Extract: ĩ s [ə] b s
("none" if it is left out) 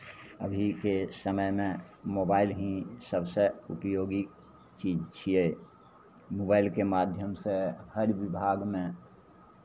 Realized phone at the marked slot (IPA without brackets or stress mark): ə